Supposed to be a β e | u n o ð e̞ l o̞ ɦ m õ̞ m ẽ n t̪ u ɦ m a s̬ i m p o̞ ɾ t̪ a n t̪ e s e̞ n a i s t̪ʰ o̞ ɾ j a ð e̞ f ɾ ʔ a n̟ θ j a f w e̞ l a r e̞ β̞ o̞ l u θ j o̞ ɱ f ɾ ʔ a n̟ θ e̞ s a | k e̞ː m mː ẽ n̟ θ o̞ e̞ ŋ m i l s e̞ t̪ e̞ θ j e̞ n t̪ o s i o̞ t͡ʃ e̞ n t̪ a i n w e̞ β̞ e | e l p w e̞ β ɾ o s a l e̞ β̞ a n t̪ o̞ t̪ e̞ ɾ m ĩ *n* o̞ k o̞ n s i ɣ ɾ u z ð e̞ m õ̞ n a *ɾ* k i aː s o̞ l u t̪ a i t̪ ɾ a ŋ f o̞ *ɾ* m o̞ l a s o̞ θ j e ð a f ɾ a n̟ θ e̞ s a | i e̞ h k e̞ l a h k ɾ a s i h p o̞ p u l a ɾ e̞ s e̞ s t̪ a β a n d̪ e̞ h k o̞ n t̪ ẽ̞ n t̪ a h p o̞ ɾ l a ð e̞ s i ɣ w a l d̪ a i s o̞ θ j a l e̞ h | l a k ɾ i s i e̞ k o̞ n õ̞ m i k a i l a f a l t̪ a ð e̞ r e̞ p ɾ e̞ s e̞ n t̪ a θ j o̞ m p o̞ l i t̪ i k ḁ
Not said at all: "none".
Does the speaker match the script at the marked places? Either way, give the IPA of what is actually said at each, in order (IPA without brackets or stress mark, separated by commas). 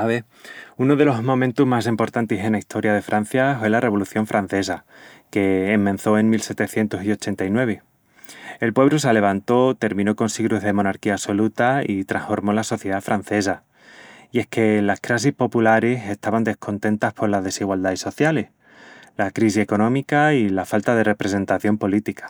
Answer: n, ɾ, ɾ